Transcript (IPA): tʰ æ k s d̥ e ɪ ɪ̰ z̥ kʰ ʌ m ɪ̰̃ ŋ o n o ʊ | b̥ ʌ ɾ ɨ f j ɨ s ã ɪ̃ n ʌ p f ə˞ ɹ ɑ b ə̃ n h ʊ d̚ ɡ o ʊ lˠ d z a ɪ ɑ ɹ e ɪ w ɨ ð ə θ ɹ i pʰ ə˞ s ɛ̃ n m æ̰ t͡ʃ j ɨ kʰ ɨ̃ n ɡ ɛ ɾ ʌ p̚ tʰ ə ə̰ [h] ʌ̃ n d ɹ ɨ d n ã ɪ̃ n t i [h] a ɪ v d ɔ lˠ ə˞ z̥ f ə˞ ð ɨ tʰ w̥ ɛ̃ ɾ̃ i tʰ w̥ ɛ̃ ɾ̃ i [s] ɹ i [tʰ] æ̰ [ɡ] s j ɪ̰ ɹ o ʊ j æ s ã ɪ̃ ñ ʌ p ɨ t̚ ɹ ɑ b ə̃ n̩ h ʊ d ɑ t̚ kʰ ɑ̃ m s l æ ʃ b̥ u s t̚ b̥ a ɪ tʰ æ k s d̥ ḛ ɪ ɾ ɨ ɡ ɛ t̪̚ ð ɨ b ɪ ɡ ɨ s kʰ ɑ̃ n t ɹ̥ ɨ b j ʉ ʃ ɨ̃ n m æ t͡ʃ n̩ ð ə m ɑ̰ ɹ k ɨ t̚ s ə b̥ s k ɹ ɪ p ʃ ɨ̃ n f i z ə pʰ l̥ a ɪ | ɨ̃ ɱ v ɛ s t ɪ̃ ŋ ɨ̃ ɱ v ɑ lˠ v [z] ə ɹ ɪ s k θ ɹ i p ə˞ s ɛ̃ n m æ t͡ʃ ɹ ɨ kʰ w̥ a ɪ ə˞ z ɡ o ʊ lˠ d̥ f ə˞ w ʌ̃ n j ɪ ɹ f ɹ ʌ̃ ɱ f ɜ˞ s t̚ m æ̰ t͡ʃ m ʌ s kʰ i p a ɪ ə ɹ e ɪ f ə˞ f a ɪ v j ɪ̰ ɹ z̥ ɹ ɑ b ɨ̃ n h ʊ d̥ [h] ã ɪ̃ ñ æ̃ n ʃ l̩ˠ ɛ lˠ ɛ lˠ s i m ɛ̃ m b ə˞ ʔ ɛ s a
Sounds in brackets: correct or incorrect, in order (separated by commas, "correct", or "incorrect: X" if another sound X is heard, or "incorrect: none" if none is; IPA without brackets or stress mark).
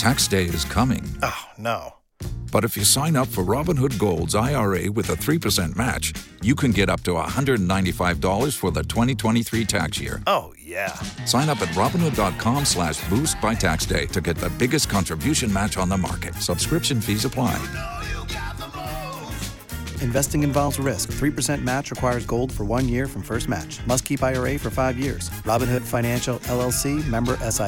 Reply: correct, incorrect: f, incorrect: θ, correct, incorrect: k, correct, incorrect: f